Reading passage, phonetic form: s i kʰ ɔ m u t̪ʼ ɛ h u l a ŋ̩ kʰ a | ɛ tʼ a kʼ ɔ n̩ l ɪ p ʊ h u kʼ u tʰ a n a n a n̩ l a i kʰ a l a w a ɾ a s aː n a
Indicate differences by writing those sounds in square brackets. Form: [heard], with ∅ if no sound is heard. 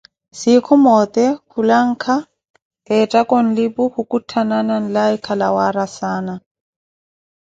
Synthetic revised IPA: s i kʰ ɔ m [ɔ] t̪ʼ ɛ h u l a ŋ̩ kʰ a | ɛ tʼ a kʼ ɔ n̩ l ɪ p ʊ h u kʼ u tʰ a n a n a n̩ l a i kʰ a l a w a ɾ a s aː n a